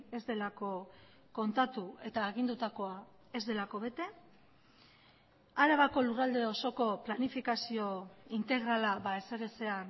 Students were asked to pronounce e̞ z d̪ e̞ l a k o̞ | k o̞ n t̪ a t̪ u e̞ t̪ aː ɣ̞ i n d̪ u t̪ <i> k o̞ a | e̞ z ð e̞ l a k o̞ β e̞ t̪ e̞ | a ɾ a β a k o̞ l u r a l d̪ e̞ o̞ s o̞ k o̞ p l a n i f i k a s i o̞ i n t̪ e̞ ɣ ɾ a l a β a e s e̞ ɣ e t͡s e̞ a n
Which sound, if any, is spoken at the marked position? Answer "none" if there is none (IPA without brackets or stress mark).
a